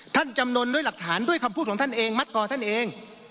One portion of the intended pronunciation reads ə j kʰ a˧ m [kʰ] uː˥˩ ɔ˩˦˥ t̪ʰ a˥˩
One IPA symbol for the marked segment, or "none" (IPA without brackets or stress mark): pʰ